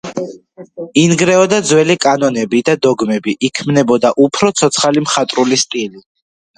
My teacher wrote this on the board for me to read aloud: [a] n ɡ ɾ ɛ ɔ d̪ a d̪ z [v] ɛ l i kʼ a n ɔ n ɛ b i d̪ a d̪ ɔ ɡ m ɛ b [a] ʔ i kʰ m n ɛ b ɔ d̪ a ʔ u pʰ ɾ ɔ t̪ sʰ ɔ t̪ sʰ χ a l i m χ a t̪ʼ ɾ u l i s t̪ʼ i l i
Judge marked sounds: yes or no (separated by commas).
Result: no, no, no